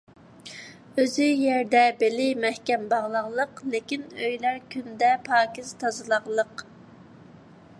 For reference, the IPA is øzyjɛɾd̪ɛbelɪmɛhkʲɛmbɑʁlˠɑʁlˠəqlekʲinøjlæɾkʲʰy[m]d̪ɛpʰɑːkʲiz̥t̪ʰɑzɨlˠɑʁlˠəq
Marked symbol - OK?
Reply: no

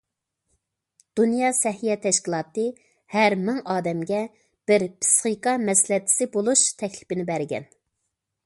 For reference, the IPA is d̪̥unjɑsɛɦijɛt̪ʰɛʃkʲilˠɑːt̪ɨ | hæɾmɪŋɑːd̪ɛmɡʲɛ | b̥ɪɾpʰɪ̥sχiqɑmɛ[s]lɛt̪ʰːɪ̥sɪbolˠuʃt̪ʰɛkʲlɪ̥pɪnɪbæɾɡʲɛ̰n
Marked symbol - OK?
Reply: yes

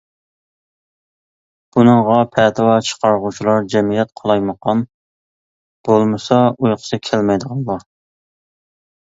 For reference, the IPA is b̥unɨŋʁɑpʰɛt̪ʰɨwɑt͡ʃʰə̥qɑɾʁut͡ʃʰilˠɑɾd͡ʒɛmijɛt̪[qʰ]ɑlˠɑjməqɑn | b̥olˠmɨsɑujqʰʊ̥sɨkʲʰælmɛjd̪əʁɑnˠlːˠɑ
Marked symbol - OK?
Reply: yes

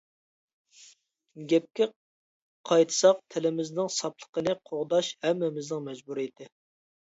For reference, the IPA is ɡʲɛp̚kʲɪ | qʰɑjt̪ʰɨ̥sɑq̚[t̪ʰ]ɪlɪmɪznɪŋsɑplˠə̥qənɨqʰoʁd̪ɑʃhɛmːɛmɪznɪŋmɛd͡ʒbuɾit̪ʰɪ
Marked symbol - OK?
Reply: yes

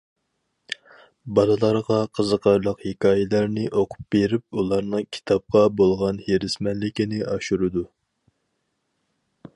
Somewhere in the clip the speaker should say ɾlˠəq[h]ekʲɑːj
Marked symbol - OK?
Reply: yes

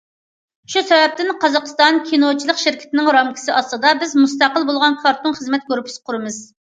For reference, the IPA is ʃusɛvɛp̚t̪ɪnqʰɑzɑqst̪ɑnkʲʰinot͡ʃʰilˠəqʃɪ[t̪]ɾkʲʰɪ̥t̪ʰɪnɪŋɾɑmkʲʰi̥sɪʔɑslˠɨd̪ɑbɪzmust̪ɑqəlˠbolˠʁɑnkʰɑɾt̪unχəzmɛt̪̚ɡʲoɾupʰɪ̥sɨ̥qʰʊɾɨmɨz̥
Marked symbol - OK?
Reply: no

